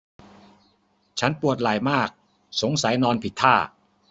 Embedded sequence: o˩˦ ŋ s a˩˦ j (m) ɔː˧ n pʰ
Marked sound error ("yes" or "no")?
yes